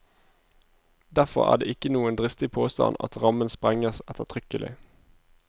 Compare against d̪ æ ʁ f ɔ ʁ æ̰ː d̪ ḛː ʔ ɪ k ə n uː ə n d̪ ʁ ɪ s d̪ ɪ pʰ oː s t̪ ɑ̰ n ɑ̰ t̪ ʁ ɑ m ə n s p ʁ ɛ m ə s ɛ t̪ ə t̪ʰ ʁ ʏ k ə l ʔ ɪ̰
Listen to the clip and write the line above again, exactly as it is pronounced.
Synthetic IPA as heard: d̪ æ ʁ f ɔ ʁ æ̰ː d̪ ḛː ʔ ɪ k ə n uː ə n d̪ ʁ ɪ s t̪ ɪ pʰ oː s t̪ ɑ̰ n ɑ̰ t̪ ʁ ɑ m ə n s p ʁ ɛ ŋ ə s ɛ t̪ ə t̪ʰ ʁ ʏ k ə l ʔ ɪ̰